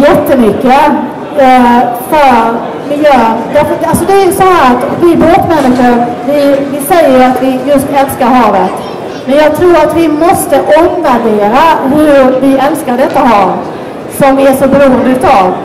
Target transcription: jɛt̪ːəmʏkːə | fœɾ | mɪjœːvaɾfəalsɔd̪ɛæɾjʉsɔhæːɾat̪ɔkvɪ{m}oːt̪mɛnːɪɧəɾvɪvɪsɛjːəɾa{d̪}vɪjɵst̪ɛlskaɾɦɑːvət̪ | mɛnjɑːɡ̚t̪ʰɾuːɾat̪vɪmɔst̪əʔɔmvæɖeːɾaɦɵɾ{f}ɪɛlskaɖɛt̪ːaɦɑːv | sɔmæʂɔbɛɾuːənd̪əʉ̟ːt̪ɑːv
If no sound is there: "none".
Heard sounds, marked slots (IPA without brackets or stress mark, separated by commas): b, t̪, v